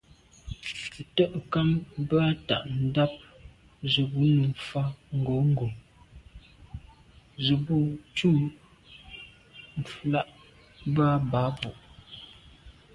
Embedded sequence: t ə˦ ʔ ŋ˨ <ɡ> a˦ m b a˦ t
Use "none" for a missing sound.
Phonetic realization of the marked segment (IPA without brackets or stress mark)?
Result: k